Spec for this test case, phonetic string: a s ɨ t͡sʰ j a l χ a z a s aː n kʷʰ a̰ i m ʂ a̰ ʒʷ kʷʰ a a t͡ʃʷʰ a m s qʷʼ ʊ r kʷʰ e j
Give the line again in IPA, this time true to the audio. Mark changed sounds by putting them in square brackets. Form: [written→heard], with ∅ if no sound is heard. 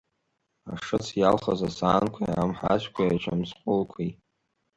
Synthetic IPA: a [s→ʂ] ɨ t͡sʰ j a l χ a z a s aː n kʷʰ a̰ [i→a] m [ʂ→ħ] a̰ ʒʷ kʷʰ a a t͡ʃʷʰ a m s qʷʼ ʊ [r→l] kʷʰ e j